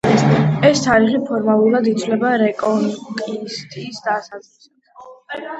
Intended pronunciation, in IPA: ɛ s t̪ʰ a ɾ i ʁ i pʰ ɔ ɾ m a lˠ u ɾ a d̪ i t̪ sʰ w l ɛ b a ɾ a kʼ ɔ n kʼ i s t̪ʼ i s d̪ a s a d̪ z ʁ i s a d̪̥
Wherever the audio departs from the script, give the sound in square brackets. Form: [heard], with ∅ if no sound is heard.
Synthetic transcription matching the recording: ɛ s t̪ʰ a ɾ i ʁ i pʰ ɔ ɾ m a lˠ u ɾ a d̪ i t̪ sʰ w l ɛ b a ɾ [ɛ] kʼ ɔ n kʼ i s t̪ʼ i s d̪ a s a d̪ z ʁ i s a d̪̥